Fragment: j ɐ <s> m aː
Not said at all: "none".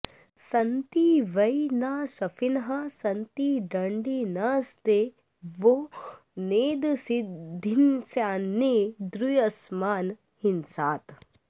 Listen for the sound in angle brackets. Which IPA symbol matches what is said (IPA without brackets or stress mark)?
s